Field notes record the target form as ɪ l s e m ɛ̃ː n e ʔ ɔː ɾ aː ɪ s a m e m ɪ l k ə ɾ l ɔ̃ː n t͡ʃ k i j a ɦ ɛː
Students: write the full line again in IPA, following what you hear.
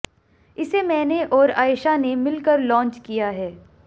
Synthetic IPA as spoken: ɪ s e m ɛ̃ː n e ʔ ɔː ɾ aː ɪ ʃ a n e m ɪ l k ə ɾ l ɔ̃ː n t͡ʃ k i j a ɦ ɛː

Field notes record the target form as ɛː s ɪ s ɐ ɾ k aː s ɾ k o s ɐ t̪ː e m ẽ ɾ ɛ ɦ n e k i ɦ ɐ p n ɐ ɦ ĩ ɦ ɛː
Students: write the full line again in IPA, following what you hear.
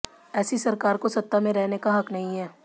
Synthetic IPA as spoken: ɛː s i s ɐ ɾ k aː ɾ k o s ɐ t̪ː a m ẽ ɾ ɛ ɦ n e k a ɦ ɐ k n ɐ ɦ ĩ ɦ ɛː

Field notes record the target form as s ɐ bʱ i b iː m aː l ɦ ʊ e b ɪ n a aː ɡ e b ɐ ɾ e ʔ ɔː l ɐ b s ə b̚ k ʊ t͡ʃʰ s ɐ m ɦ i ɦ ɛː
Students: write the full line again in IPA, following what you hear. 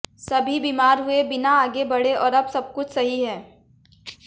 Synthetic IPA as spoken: s ɐ bʱ i b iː m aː ɾ ɦ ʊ e b ɪ n a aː ɡ e b ɐ ɽ e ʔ ɔː ɾ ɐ b s ɐ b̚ k ʊ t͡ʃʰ s ɐ ɦ i ɦ ɛː

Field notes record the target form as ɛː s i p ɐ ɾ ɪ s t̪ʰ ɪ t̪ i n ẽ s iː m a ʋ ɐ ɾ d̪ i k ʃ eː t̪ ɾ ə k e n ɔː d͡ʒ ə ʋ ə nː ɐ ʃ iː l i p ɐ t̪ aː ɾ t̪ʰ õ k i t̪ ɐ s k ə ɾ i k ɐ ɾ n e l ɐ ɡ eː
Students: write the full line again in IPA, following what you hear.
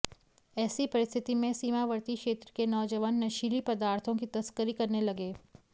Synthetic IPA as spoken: ɛː s i p ɐ ɾ ɪ s t̪ʰ ɪ t̪ i m ẽ s iː m a ʋ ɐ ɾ t̪ i k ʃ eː t̪ ɾ ə k e n ɔː d͡ʒ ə ʋ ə nː ɐ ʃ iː l i p ɐ d̪ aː ɾ t̪ʰ õ k i t̪ ɐ s k ə ɾ i k ɐ ɾ n e l ɐ ɡ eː

